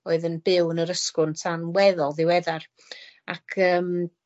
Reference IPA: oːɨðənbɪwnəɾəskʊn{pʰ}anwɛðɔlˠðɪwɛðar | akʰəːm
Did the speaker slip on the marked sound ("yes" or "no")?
yes